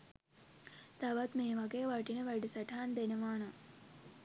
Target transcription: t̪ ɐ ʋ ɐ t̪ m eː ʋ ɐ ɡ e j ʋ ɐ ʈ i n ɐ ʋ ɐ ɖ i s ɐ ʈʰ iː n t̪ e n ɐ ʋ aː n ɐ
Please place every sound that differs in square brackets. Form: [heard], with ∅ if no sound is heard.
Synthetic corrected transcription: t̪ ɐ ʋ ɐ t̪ m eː ʋ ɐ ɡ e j ʋ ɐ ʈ i n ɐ ʋ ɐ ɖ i s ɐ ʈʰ [aː] n [d̪] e n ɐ ʋ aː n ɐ